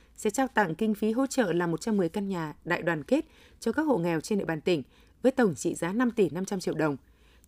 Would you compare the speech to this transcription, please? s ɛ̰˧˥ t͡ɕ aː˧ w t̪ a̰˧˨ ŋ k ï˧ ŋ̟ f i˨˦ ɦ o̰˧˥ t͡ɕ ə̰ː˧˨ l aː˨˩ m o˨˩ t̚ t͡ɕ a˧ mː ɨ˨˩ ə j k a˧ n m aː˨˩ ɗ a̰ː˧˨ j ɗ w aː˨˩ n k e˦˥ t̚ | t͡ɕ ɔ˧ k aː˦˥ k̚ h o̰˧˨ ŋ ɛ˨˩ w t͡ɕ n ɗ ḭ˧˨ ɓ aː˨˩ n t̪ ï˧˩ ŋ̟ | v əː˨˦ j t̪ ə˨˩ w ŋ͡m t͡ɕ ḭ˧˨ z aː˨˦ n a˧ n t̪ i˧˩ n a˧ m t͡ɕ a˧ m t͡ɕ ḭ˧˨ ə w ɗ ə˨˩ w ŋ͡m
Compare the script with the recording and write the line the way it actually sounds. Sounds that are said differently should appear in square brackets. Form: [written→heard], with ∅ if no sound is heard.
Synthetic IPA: s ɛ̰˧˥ t͡ɕ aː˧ w t̪ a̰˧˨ ŋ k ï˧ ŋ̟ f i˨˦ ɦ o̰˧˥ t͡ɕ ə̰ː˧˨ l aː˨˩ m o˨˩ t̚ t͡ɕ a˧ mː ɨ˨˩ ə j k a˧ n [m→ɲ] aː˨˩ ɗ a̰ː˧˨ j ɗ w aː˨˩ n k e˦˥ t̚ | t͡ɕ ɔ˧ k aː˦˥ k̚ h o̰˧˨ ŋ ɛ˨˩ w t͡ɕ n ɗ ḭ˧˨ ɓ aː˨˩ n t̪ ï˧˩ ŋ̟ | v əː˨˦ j t̪ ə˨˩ w ŋ͡m t͡ɕ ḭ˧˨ z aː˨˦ n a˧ [n→m] t̪ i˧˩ n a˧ m t͡ɕ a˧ m t͡ɕ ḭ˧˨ ə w ɗ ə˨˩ w ŋ͡m